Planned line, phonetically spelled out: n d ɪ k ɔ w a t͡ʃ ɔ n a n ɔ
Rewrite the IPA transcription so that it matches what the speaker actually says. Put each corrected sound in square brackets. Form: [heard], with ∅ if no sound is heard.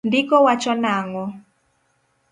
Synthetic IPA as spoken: n d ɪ k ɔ w a t͡ʃ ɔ n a [ŋ] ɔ

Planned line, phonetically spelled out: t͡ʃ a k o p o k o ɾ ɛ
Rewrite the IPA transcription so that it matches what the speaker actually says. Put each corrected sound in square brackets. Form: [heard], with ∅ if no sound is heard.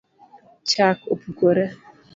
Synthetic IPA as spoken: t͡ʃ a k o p [u] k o ɾ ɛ

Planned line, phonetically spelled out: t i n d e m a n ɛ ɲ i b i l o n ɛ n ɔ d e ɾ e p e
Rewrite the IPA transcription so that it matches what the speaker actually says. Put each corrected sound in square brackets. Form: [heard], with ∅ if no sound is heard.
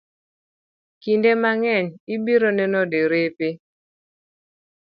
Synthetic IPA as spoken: [k] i n d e m a [ŋ] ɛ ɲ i b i [ɾ] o n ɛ n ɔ d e ɾ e p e

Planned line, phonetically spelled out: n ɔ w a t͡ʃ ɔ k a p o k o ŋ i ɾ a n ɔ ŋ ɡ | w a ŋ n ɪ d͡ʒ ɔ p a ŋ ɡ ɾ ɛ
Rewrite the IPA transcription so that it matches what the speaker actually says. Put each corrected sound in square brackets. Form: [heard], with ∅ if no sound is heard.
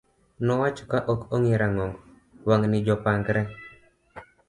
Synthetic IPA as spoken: n ɔ w a t͡ʃ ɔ k a [ʔ] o k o ŋ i ɾ a [ŋ] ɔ ŋ ɡ | w a ŋ n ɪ d͡ʒ ɔ p a ŋ ɡ ɾ ɛ

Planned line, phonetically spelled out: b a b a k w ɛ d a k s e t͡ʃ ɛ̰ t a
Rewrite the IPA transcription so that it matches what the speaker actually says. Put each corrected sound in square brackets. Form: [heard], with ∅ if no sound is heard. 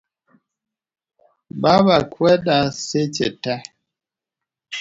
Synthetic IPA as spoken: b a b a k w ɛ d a [∅] s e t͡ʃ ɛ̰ t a

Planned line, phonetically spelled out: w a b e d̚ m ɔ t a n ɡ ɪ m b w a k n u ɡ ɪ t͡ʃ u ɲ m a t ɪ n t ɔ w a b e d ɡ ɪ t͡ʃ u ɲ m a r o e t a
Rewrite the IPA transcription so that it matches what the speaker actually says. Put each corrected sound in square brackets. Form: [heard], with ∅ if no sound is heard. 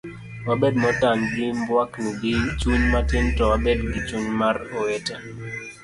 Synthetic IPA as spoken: w a b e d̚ m ɔ t a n ɡ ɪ m b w a k n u ɡ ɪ t͡ʃ u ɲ m a t ɪ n t ɔ w a b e d ɡ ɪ t͡ʃ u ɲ m a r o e t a

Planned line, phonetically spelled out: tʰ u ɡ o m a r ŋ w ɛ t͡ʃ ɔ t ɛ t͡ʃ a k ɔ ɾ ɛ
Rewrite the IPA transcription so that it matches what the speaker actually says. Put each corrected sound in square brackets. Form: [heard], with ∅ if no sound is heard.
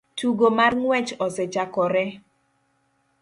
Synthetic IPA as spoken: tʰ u ɡ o m a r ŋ w ɛ t͡ʃ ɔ [s] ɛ t͡ʃ a k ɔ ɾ ɛ

